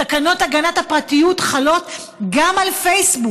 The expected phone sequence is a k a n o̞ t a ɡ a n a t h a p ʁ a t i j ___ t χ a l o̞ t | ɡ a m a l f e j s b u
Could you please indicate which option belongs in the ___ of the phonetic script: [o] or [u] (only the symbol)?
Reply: u